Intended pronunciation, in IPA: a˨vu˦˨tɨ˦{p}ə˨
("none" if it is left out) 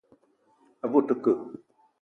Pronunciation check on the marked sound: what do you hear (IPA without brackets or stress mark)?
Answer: k